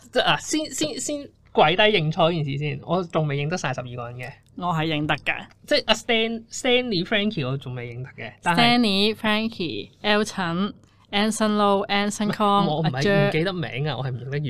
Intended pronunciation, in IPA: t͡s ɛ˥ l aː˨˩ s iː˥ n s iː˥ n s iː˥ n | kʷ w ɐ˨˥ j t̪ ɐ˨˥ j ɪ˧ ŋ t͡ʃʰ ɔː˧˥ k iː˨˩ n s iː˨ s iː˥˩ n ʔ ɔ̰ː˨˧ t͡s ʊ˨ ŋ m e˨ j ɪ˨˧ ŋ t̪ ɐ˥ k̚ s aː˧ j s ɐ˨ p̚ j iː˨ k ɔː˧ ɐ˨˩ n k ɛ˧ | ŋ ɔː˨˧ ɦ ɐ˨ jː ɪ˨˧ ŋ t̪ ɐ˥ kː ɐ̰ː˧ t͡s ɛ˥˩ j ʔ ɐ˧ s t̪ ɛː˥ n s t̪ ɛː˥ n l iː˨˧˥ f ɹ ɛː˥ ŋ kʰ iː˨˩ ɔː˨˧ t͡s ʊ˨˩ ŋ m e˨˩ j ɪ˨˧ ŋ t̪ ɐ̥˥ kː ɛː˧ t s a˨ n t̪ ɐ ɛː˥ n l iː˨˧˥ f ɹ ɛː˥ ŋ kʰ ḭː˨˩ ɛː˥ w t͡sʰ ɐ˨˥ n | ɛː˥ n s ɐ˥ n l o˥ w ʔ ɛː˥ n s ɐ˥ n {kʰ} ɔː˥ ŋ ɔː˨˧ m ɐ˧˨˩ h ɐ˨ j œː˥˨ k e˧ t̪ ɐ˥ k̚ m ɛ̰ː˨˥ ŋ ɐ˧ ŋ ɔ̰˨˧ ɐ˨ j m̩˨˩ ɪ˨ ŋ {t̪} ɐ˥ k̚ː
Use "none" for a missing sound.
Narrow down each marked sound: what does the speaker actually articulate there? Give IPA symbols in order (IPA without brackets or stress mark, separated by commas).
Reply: kʰ, t̪